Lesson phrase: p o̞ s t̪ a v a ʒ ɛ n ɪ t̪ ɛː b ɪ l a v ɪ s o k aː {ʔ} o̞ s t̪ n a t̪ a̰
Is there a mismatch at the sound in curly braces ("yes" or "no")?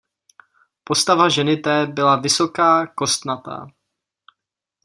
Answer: yes